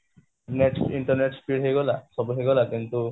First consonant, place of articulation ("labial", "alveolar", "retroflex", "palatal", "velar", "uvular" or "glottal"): alveolar